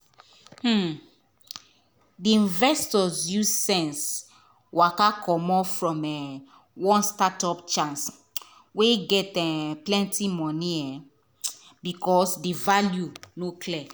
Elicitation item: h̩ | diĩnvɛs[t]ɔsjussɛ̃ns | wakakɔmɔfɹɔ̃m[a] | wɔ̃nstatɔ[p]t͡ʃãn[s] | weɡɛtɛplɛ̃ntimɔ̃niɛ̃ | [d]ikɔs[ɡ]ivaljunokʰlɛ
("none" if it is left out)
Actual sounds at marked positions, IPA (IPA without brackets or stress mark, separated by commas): t, ɛ, p, s, b, d